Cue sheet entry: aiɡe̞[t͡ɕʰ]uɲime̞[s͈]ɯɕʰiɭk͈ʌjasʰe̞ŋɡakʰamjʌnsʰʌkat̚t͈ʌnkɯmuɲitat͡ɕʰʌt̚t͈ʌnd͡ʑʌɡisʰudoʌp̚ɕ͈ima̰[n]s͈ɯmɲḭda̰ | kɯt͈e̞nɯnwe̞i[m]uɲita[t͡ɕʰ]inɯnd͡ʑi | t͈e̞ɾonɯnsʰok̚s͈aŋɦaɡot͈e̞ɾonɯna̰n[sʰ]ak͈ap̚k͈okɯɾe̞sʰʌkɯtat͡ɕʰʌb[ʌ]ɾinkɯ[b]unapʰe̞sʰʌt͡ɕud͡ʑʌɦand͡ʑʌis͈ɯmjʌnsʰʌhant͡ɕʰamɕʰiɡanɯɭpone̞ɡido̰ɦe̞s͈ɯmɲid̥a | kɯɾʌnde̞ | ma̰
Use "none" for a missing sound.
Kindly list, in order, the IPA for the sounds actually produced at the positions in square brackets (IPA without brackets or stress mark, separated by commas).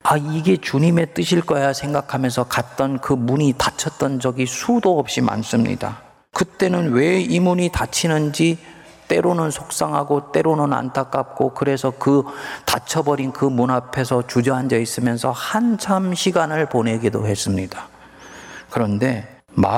t͡ɕ, t͈, n, m, t͡ɕʰ, tʰ, ʌ, m